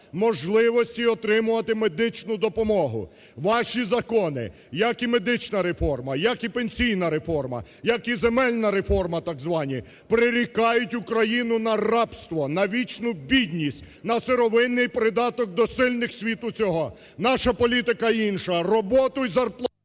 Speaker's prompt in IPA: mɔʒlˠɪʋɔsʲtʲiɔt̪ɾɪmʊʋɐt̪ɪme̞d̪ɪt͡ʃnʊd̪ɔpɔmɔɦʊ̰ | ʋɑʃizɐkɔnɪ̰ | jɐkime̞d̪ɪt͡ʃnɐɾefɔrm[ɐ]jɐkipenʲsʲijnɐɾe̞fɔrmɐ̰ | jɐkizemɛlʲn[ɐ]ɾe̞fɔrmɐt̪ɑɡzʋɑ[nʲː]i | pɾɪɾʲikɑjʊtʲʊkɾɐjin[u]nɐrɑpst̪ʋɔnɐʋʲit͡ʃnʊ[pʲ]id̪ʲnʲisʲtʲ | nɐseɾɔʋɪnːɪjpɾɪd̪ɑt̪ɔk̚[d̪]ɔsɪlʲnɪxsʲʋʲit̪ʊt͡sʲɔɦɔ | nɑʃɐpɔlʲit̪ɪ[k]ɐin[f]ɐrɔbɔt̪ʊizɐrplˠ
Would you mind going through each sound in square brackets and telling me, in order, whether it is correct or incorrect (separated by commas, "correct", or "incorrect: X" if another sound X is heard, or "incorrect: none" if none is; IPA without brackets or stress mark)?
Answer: correct, correct, incorrect: nʲ, incorrect: ʊ, incorrect: bʲ, correct, correct, incorrect: ʃ